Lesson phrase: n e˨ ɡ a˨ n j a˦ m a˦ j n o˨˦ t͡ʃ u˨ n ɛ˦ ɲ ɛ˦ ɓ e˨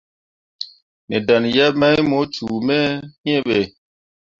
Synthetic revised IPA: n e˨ d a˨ n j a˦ m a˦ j m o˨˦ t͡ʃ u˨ m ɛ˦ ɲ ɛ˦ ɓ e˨